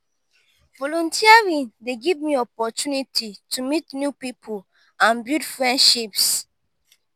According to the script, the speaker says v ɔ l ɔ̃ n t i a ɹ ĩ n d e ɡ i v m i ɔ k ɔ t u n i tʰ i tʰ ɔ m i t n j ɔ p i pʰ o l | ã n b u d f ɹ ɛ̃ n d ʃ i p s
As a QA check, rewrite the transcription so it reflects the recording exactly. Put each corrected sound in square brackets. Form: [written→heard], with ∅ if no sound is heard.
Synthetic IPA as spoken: v ɔ l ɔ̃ n t i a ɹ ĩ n d e ɡ i v m i ɔ [k→p] ɔ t u n i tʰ i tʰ [ɔ→u] m i t n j [ɔ→u] p i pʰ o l | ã n b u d f ɹ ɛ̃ n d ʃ i p s